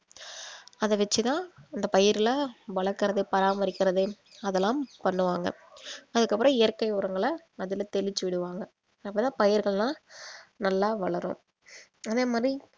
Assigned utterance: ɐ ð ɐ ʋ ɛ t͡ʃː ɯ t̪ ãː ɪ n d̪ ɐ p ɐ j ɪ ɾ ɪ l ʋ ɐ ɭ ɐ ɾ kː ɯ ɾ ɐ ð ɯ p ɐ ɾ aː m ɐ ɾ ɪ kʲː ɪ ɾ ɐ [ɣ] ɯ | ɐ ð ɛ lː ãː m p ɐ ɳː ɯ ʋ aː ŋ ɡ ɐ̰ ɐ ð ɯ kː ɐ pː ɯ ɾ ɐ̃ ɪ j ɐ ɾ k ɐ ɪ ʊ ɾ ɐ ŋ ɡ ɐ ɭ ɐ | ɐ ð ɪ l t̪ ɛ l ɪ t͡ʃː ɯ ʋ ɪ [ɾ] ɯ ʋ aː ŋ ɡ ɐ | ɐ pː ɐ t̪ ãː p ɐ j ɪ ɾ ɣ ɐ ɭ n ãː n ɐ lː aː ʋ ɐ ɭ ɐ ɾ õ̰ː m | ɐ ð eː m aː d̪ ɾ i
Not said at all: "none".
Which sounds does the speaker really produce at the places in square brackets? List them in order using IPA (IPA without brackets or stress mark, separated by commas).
ð, ɽ